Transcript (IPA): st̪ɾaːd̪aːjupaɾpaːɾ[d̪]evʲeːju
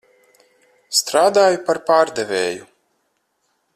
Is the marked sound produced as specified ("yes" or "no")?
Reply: yes